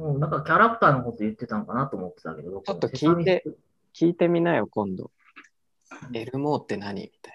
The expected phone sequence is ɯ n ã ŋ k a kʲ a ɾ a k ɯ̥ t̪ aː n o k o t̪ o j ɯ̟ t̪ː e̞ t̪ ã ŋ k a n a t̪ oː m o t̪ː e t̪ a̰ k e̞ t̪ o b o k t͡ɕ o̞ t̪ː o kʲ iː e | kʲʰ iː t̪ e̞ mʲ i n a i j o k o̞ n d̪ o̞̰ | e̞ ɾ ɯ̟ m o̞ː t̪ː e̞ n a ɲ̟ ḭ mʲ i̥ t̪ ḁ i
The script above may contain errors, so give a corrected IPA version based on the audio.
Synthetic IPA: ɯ n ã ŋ k a kʲ a ɾ a k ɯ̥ t̪ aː n o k o t̪ o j ɯ̟ t̪ː e̞ t̪ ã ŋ k a n a t̪ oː m o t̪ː e t̪ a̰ k e̞ d̪ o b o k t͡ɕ o̞ t̪ː o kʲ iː e | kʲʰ iː t̪ e̞ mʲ i n a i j o k õ̞ n d̪ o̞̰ | e̞ ɾ ɯ̟ m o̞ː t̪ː e̞ n a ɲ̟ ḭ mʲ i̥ t̪ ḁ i